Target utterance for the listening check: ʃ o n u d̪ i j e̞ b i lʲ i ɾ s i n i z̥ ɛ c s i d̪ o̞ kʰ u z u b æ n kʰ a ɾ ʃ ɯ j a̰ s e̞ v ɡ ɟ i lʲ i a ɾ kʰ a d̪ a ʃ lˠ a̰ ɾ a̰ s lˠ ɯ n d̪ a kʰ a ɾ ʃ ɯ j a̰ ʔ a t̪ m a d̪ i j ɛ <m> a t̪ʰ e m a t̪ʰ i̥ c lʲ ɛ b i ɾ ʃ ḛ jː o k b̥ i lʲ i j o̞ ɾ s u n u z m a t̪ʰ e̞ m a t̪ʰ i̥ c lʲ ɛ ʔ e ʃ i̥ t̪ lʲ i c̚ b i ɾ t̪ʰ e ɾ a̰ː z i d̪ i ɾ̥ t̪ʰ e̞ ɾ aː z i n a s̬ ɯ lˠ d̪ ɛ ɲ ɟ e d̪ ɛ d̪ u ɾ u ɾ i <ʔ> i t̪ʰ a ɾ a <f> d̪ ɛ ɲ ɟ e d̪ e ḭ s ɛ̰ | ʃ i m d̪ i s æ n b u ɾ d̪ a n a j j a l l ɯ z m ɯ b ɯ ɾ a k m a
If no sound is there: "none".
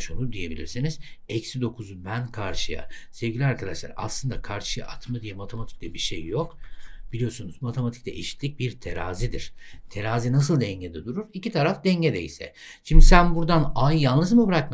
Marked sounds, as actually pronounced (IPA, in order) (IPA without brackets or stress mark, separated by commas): m, c, f